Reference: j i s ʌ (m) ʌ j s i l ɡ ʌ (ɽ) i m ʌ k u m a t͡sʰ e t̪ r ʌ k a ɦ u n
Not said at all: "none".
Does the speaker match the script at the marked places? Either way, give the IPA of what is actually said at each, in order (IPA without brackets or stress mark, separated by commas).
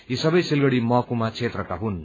b, ɽ